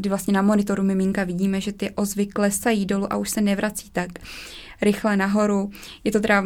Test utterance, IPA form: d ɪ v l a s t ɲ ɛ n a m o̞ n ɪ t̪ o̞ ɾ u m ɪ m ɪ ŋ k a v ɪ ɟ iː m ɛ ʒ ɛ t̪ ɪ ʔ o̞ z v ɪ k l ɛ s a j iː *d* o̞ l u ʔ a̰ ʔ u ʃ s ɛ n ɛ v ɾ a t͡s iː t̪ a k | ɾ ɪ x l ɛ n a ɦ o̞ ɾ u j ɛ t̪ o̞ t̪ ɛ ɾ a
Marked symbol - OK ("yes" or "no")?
yes